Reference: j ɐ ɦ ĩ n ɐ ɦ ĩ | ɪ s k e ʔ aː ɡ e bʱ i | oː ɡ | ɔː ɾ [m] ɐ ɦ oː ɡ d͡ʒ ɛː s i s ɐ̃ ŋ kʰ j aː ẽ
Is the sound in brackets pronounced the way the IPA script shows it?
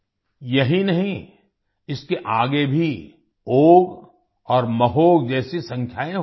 yes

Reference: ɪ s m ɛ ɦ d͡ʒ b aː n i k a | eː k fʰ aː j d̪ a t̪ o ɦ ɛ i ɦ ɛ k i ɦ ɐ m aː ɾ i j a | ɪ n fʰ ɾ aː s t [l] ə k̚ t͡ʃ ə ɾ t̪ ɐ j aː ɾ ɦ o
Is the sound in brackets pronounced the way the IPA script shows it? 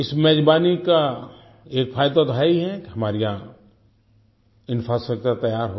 no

